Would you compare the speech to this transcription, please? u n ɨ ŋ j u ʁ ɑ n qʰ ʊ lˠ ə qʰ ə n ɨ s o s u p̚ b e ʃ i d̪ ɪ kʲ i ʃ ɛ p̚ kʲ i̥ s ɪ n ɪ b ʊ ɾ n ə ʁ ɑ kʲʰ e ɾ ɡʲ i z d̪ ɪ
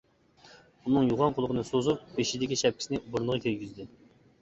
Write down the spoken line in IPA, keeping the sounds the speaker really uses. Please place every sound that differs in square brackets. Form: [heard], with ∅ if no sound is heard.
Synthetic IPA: u n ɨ ŋ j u ʁ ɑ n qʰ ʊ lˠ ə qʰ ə n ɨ s o [z] u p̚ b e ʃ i d̪ ɪ kʲ i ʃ ɛ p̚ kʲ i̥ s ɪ n ɪ b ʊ ɾ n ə ʁ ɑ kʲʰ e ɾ ɡʲ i z d̪ ɪ